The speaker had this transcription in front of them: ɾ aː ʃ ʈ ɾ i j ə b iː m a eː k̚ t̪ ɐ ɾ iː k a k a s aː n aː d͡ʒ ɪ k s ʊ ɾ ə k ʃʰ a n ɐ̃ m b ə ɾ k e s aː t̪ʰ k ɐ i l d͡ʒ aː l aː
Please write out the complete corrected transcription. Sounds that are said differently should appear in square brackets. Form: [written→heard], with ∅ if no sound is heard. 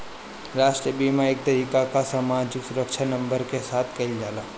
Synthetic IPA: ɾ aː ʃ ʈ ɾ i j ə b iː m a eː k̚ t̪ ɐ ɾ iː k a k a s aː [n→m] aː d͡ʒ ɪ k s ʊ ɾ ə k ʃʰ a n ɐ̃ m b ə ɾ k e s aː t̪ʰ k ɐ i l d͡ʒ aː l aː